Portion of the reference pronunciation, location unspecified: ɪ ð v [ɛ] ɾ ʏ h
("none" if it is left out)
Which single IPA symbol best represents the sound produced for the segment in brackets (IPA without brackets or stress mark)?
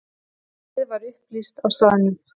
a